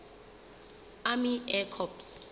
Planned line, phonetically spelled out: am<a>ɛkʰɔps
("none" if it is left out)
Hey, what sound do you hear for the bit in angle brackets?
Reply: i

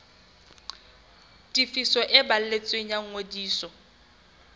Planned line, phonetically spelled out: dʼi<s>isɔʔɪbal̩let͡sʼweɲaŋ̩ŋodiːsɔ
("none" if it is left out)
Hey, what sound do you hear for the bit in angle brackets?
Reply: f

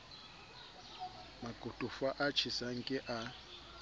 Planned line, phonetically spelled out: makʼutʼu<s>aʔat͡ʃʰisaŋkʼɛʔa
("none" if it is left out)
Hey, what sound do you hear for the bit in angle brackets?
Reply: f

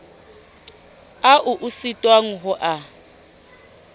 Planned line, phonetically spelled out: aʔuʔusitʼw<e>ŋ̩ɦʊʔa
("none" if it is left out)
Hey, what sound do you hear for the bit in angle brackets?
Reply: a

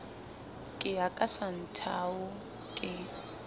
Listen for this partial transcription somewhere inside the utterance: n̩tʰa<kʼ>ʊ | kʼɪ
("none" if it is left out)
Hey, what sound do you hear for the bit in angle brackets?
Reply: none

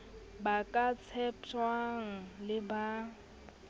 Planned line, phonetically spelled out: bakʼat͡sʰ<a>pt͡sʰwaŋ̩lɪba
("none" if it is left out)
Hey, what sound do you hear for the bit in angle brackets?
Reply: ɛ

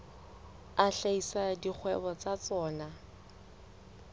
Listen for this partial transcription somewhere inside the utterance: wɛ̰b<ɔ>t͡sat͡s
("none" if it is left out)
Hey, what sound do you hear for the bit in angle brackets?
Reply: ɔ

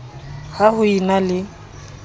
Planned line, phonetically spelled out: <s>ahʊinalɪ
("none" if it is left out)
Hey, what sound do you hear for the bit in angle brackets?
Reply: h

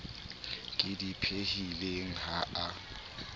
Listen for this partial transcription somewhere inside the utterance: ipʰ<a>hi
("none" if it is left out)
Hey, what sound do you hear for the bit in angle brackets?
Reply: e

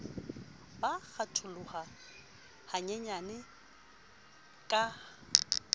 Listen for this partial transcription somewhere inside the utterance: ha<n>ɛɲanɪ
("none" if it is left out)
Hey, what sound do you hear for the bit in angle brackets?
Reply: ɲ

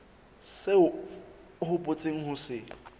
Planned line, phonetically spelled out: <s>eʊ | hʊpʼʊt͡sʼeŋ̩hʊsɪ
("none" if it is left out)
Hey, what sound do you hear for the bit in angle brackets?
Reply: s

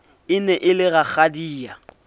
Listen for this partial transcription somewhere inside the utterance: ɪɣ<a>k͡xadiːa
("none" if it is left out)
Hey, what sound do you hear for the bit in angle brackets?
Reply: a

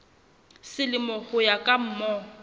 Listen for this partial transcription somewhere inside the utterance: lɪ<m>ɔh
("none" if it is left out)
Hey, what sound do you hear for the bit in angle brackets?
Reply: m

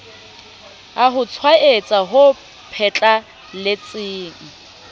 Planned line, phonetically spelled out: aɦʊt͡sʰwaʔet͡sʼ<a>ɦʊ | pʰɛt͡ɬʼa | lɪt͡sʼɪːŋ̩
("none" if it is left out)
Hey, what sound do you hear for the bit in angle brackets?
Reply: a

